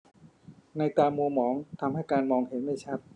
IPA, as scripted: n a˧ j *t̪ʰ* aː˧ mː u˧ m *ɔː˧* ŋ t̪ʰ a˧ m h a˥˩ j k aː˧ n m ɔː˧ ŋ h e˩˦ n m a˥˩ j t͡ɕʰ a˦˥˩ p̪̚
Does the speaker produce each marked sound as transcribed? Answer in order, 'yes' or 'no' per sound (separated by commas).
no, no